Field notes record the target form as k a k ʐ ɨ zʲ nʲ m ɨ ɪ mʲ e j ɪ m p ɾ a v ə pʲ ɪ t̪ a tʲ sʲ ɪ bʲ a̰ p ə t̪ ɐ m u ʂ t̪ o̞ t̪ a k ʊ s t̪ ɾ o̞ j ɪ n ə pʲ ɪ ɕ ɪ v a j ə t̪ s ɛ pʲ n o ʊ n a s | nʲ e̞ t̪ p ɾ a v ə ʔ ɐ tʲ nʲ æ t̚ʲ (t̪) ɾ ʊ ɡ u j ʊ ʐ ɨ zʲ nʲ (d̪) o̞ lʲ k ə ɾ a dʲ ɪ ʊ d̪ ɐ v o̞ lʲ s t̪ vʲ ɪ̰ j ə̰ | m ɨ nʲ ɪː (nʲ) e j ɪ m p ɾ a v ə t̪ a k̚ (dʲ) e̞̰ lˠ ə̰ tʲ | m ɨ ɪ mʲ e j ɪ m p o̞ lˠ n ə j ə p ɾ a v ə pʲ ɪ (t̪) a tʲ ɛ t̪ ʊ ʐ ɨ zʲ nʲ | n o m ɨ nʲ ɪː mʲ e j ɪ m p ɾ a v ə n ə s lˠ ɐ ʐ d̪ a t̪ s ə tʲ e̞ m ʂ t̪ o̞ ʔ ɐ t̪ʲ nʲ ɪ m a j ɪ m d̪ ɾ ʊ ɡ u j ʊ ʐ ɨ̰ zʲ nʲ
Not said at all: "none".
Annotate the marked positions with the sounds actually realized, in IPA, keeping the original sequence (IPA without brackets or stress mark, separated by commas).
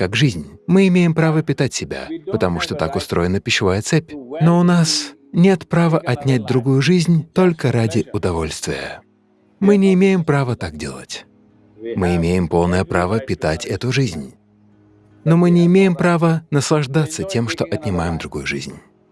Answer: d̪, t̪, mʲ, dʲ, t̪